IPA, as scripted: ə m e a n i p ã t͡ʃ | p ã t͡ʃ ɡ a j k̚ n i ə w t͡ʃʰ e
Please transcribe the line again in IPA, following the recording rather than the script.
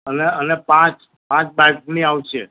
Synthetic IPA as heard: ə n e ə n e p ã t͡ʃ | p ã t͡ʃ b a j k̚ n i a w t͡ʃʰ e

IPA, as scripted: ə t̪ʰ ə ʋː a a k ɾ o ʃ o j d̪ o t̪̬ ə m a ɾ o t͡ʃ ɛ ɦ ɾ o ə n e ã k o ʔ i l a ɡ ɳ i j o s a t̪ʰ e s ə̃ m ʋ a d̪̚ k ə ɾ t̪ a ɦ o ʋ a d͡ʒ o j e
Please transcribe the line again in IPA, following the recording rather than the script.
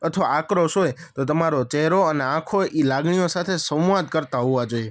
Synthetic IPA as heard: ə t̪ʰ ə ʋ a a k ɾ o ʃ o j t̪ o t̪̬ ə m a ɾ o t͡ʃ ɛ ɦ ɾ o ə n e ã kʰ o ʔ i l a ɡ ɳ i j o s a t̪ʰ e s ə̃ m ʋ a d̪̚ k ə ɾ t̪ a ɦ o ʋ a d͡ʒ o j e

